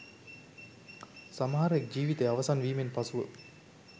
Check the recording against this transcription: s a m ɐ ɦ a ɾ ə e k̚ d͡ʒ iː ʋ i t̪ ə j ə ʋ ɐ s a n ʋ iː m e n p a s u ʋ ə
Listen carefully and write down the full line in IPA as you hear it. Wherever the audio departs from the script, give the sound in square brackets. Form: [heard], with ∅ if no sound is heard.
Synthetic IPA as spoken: s a m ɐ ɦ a ɾ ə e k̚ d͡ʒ iː ʋ i t̪ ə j [a] ʋ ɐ s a n ʋ iː m e n p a s u ʋ ə